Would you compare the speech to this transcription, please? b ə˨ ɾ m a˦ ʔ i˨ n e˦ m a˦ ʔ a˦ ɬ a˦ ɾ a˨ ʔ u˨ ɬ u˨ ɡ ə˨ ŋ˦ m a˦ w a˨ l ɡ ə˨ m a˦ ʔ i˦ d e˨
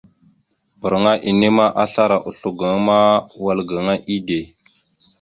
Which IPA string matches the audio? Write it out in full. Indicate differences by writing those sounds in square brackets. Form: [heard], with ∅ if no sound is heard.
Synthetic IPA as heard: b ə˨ ɾ [ŋ] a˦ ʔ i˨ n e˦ m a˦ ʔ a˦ ɬ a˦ ɾ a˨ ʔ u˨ ɬ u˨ ɡ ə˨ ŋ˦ m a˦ w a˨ l ɡ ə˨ [ŋ] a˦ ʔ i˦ d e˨

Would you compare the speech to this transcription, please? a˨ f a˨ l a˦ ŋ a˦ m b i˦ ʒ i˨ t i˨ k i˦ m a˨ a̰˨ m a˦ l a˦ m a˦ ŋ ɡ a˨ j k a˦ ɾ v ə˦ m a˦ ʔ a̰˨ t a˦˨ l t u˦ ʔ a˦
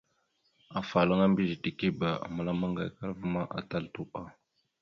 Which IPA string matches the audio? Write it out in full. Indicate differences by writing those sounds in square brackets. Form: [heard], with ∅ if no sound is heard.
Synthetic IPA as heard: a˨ f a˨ l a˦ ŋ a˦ m b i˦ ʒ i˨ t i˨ k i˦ [b] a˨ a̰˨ m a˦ l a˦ m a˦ ŋ ɡ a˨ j k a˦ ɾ v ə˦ m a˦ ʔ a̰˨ t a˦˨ l t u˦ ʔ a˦

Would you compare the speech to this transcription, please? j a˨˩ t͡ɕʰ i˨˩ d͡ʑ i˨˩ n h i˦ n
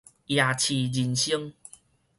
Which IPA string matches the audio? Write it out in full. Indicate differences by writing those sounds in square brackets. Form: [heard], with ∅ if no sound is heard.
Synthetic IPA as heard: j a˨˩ t͡ɕʰ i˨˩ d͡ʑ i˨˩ n [ɕ] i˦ [ŋ]

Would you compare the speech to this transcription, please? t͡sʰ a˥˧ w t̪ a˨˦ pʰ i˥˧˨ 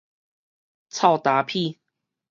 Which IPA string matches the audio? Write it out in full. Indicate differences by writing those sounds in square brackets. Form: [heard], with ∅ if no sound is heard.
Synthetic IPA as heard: t͡sʰ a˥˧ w t̪ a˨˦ pʰ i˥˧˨

